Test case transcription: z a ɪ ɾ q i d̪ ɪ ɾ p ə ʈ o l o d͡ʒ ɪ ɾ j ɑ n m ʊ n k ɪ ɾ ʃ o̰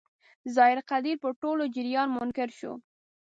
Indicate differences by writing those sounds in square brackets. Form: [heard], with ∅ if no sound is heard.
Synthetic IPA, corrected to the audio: z [ɑ] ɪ ɾ q [a] d̪ [i] ɾ p ə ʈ o l o d͡ʒ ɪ ɾ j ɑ n m ʊ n k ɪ ɾ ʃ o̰